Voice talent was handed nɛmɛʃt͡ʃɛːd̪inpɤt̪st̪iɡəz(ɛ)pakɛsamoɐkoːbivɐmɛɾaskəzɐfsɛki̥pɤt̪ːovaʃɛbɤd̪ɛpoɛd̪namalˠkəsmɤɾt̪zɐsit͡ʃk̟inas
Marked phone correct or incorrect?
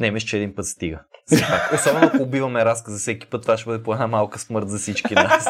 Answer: correct